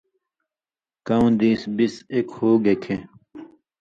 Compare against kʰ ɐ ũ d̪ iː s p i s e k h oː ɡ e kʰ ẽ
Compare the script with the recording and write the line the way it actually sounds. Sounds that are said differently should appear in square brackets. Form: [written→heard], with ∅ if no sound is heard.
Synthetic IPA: [kʰ→k] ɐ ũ d̪ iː s [p→b] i s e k h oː ɡ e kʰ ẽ